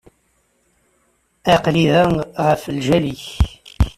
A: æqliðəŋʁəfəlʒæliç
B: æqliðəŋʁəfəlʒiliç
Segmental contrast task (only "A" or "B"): A